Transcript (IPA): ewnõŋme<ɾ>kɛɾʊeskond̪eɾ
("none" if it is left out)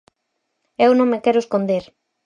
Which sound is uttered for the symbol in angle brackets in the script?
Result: none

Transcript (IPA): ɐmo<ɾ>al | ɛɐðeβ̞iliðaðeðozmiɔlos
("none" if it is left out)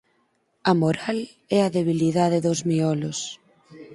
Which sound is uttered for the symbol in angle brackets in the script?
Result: ɾ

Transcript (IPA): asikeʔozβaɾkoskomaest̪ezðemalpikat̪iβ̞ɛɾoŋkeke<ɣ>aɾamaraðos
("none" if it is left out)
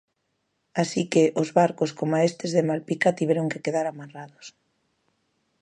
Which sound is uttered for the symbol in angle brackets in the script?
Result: ð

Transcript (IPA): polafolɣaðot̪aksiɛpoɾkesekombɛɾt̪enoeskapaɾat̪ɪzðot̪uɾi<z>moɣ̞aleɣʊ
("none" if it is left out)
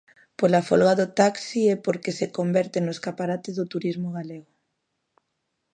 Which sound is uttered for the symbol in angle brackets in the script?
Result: z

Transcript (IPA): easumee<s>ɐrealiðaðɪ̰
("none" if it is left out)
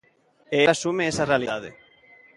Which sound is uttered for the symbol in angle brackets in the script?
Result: s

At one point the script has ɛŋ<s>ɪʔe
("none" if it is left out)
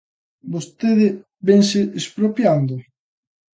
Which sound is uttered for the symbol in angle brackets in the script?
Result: s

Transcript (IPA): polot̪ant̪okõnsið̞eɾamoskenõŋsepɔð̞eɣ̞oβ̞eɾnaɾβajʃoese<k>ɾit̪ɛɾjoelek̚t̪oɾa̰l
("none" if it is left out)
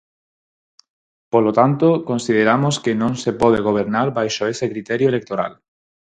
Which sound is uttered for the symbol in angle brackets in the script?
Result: k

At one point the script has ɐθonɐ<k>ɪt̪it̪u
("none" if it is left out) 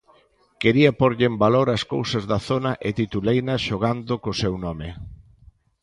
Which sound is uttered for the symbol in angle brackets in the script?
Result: ʔ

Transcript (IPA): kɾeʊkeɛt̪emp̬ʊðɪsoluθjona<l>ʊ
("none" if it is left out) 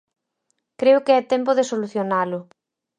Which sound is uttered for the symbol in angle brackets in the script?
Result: l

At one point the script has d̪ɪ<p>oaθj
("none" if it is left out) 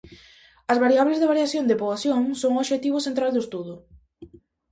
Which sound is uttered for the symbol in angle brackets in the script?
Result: p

